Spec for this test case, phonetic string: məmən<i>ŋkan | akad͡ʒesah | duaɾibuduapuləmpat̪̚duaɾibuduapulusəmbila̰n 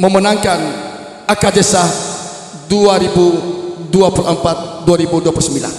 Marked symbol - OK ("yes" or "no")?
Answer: no